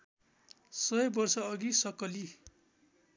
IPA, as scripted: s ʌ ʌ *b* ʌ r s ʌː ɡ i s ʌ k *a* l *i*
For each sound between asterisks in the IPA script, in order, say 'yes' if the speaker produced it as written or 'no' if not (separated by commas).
yes, no, yes